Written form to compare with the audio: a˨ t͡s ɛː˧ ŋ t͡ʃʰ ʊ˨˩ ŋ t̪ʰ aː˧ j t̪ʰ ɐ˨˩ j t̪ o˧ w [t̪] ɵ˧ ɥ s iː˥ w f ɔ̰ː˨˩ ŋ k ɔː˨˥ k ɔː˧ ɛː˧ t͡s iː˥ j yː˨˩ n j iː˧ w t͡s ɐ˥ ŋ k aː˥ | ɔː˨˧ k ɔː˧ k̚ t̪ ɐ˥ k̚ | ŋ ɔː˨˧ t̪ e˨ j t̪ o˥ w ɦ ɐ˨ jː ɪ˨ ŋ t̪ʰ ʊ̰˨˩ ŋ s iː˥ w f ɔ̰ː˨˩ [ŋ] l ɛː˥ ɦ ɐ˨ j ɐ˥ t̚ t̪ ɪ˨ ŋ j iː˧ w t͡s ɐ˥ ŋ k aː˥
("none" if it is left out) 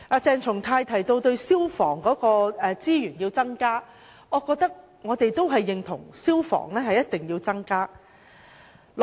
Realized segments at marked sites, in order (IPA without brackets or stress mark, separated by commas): t̪, ŋ